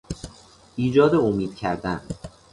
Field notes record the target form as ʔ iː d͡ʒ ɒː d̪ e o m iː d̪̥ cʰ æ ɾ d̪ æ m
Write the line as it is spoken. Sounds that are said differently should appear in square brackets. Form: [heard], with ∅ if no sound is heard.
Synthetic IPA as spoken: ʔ iː d͡ʒ ɒː d̪ e o m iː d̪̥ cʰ æ ɾ d̪ æ [n]